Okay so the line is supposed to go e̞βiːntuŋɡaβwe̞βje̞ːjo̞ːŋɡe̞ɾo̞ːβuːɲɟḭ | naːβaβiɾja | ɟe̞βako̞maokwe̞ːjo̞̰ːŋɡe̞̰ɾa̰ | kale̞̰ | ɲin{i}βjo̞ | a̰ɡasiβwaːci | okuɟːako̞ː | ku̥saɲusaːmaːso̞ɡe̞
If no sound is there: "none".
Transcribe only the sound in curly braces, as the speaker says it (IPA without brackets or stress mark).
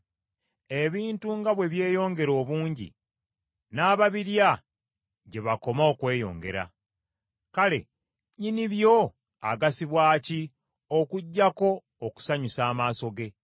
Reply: i